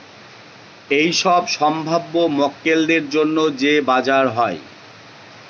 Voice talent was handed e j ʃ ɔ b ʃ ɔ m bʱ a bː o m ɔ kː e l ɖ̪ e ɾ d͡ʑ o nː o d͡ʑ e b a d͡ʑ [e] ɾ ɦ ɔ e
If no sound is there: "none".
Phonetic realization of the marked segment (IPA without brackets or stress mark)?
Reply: a